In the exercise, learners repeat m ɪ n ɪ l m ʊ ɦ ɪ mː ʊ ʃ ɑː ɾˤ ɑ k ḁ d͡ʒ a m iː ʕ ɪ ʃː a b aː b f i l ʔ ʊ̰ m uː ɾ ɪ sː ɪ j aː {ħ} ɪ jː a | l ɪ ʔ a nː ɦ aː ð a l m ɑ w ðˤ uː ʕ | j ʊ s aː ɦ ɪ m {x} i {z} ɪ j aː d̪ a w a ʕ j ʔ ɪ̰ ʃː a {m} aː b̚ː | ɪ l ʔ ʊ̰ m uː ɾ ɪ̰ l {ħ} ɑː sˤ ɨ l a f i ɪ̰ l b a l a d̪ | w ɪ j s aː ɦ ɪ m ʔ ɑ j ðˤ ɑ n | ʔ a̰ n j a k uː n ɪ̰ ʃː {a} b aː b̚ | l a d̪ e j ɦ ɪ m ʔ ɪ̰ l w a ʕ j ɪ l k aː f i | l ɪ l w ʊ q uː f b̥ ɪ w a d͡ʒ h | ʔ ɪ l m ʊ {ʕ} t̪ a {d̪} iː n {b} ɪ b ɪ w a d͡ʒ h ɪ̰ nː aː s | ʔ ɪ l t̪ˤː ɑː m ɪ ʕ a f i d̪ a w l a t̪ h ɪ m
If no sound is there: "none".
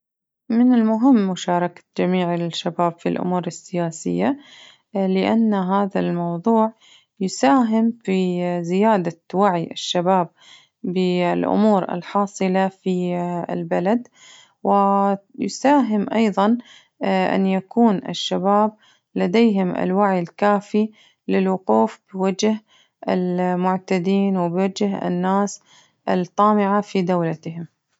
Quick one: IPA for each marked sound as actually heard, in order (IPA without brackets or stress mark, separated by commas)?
s, f, z, b, ħ, a, ʕ, d̪, w